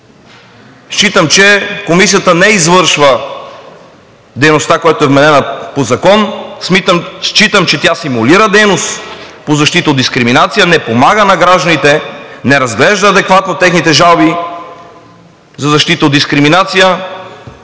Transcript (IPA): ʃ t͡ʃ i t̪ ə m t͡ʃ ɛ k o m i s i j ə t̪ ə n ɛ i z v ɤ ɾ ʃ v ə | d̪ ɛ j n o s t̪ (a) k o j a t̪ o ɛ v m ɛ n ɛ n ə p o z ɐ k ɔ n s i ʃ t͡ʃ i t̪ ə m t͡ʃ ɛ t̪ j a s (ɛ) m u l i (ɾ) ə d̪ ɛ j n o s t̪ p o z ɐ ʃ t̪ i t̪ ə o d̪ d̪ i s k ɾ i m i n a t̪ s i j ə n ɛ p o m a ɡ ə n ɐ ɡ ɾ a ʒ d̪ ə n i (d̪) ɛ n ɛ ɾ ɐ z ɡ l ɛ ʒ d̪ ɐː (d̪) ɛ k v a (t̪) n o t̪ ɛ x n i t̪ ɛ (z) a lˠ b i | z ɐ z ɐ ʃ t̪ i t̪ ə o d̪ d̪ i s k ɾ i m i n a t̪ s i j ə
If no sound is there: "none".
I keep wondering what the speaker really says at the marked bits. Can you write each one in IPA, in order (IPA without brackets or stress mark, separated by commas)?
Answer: a, i, ɾ, t̪, d̪, t̪, ʒ